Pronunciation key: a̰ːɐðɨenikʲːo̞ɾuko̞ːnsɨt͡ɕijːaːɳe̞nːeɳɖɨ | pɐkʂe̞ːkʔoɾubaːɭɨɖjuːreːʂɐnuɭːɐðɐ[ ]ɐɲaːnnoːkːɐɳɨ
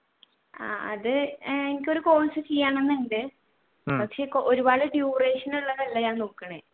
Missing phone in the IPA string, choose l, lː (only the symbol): lː